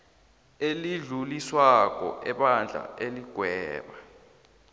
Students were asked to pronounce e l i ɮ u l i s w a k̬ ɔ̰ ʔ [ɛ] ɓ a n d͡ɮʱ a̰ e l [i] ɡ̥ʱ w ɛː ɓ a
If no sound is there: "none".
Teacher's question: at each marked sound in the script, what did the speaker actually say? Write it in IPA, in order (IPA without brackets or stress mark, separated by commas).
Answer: ɛ, i